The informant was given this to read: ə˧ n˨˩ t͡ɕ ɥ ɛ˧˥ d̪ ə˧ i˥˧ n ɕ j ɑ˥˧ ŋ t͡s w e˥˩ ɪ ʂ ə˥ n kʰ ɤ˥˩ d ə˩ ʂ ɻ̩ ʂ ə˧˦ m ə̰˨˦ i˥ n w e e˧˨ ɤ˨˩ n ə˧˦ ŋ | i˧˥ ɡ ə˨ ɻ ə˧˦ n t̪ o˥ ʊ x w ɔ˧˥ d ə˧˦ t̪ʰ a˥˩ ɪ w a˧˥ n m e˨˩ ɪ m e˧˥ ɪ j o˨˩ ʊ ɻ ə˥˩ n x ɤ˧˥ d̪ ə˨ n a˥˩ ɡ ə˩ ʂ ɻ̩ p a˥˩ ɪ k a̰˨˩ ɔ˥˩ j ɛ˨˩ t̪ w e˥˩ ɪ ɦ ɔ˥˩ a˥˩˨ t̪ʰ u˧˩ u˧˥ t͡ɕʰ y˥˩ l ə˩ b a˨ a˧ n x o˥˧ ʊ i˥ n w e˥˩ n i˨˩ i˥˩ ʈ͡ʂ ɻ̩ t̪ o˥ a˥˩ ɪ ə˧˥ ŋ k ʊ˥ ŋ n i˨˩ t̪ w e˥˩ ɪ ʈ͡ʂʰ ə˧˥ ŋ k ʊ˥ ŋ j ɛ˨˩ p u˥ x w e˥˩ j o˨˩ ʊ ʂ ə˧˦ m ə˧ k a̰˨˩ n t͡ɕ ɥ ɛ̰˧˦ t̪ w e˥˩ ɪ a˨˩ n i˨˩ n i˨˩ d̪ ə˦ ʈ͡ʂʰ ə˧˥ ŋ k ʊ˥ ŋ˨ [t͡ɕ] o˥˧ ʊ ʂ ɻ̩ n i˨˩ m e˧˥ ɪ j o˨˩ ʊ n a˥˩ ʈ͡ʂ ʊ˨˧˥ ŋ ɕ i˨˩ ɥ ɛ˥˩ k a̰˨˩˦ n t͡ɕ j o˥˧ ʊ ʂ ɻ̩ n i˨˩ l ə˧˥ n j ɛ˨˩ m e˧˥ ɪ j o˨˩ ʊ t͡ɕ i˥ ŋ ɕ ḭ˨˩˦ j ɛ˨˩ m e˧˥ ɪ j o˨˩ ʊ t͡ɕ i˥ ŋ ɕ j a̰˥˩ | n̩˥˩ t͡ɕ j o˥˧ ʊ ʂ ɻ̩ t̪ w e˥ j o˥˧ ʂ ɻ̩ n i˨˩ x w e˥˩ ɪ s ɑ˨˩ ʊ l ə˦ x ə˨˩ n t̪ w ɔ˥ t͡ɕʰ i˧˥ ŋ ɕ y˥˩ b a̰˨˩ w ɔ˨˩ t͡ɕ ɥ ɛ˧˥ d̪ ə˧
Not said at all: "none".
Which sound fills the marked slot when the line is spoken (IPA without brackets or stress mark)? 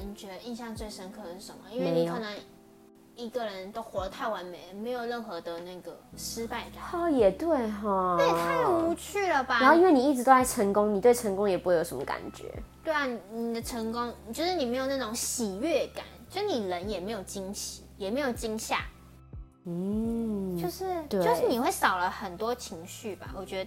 t͡ɕ